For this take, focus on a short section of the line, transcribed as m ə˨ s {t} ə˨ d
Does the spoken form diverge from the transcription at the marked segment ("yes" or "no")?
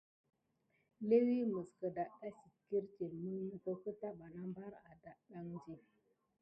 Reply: yes